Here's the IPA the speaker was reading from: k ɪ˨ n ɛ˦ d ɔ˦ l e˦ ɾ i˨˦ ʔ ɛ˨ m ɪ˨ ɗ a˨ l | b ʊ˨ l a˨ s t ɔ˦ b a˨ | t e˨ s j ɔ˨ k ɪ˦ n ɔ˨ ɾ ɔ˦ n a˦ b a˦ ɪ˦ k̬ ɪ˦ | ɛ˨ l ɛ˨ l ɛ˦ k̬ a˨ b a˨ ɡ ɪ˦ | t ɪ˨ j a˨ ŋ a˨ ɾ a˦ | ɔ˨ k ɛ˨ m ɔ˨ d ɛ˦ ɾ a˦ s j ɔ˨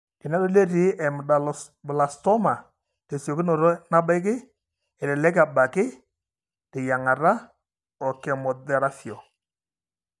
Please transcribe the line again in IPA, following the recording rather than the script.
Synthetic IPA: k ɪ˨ n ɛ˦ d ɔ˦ l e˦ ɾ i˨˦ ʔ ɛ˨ m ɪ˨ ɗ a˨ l | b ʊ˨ l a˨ s t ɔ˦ m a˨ | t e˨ s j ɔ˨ k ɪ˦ n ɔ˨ ɾ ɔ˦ n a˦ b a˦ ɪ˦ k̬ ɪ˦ | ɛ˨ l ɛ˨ l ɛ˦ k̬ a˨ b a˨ k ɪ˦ | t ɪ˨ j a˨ ŋ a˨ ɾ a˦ | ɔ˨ k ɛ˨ m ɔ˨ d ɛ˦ ɾ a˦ f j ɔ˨